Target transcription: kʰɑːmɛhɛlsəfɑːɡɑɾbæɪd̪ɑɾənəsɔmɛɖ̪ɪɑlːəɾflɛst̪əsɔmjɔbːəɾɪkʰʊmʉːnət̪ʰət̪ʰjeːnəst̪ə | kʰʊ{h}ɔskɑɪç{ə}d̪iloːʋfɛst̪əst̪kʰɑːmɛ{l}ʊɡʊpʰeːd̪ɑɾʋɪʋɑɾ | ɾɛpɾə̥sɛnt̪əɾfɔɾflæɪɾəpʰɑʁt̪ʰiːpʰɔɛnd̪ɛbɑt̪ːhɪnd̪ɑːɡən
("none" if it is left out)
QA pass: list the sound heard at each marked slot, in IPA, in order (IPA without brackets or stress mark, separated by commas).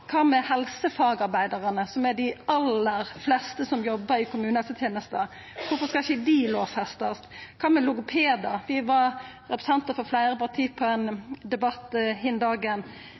f, ə, l